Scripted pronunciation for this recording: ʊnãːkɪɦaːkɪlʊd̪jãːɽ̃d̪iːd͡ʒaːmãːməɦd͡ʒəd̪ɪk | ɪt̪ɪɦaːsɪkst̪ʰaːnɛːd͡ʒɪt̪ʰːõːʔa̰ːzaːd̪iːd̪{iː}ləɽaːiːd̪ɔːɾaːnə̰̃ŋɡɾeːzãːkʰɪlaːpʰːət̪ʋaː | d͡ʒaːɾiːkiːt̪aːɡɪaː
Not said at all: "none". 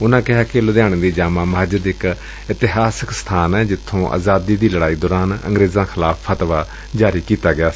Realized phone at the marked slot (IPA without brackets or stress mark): iː